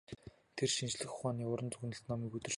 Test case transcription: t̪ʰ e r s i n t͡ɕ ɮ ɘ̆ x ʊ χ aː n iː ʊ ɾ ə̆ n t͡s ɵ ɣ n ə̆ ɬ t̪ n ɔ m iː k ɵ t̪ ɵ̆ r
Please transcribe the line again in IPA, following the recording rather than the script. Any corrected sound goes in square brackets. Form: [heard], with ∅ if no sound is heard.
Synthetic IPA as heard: t̪ʰ e r [ʃ] i n t͡ɕ ɮ ɘ̆ x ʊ χ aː n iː ʊ ɾ ə̆ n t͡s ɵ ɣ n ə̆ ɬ t̪ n ɔ m iː k ɵ t̪ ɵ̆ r